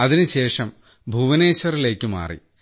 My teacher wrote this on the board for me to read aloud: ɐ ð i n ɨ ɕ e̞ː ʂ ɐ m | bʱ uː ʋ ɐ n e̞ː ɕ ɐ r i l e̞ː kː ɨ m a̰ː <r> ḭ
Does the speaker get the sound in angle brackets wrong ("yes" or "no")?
no